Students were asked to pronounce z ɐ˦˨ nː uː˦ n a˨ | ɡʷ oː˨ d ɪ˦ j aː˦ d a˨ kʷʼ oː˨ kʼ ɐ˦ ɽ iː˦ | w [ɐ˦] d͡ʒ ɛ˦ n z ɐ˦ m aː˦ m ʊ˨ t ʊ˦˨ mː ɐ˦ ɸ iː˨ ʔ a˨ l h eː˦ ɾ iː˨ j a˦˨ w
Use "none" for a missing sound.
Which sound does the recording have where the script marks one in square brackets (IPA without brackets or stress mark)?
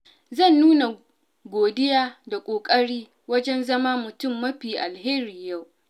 ɐ˦